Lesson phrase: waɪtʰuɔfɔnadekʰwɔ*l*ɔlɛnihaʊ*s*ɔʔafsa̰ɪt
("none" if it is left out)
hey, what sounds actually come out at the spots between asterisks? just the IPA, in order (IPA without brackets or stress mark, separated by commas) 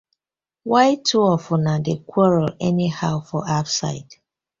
ɹ, f